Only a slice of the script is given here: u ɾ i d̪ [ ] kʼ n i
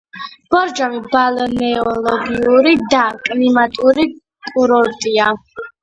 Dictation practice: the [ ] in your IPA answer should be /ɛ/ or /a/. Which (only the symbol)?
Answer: a